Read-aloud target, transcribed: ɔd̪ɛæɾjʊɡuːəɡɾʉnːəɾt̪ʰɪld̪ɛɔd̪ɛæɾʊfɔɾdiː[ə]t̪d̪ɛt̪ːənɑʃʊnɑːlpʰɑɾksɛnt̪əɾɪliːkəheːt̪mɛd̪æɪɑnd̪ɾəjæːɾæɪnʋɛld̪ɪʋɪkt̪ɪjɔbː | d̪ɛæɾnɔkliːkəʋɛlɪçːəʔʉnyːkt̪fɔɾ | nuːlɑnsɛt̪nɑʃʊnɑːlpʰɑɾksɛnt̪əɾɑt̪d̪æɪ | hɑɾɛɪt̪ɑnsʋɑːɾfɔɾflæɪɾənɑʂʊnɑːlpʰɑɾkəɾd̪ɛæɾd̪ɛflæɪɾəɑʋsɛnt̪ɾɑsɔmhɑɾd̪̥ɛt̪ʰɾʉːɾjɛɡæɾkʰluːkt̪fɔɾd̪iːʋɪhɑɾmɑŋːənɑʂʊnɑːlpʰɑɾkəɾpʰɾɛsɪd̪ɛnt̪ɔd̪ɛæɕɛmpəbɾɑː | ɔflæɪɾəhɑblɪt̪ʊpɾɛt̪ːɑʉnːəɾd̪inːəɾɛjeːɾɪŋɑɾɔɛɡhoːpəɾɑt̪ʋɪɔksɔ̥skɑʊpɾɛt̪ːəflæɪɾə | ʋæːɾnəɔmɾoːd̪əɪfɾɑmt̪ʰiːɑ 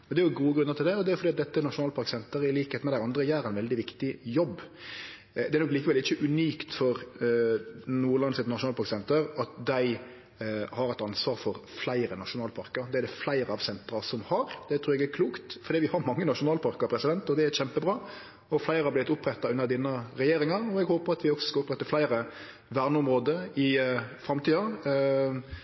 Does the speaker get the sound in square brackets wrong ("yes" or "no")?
yes